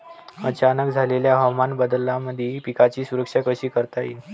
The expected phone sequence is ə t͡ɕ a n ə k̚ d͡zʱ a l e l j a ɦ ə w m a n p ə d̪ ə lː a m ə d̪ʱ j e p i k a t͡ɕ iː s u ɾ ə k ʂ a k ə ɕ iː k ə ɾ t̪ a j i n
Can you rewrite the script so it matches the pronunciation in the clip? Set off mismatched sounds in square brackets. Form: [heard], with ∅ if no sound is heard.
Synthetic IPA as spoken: ə t͡ɕ a n ə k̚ d͡zʱ a l e l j a ɦ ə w m a n [b] ə d̪ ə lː a m ə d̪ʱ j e p i k a t͡ɕ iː s u ɾ ə k ʂ a k ə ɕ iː k ə ɾ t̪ a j i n